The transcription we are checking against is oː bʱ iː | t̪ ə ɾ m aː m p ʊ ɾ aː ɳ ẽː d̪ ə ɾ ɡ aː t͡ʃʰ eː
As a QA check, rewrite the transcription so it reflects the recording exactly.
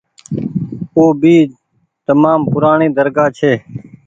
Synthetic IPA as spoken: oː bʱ iː | t̪ ə m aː m p ʊ ɾ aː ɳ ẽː d̪ ə ɾ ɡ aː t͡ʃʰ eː